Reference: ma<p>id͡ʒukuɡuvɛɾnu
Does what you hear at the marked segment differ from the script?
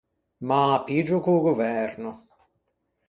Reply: no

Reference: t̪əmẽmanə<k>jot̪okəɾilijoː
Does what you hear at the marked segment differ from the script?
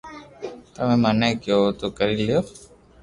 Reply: no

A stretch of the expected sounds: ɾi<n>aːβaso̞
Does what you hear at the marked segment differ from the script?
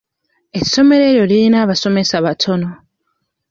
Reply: no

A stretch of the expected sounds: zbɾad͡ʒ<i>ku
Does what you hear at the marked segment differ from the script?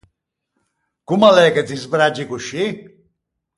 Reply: no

